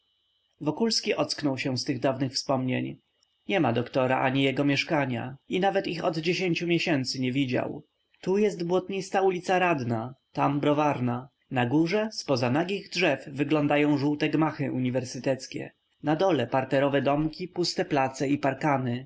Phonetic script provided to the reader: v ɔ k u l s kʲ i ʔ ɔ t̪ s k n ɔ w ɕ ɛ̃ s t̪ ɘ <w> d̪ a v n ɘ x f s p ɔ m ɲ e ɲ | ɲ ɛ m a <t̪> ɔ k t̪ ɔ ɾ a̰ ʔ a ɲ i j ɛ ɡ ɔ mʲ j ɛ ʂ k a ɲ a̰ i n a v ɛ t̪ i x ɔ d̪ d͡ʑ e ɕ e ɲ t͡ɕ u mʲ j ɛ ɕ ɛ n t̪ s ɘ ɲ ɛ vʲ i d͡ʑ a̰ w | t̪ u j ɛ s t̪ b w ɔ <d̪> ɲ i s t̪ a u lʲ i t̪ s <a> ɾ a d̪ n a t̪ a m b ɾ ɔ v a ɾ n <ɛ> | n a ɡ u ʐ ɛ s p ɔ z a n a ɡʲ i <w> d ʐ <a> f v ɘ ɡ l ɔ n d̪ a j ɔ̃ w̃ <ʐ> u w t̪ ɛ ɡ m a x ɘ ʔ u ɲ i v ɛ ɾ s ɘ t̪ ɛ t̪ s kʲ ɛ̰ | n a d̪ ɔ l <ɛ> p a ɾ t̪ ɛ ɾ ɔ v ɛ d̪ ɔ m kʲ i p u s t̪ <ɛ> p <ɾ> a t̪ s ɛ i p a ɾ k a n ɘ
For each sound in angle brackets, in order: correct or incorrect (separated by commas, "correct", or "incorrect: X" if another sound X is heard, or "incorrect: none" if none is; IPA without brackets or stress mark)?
incorrect: ɣ, incorrect: d̪, incorrect: t̪, correct, incorrect: a, incorrect: ɣ, incorrect: ɛ, correct, correct, correct, incorrect: l